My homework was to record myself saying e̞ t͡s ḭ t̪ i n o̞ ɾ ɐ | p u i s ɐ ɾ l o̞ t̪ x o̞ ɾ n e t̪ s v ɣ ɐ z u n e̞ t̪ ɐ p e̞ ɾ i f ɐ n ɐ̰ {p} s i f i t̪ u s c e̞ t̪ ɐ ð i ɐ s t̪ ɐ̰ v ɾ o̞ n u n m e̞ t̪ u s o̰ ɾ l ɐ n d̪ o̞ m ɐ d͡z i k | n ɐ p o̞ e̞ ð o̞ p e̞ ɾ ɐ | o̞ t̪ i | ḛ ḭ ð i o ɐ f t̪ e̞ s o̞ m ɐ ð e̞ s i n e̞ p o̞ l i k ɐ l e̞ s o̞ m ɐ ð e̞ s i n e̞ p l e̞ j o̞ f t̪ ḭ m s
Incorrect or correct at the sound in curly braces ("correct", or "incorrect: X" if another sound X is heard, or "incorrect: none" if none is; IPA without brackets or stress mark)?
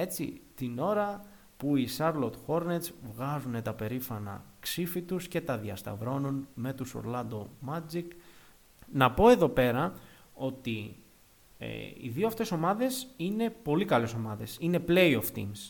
incorrect: k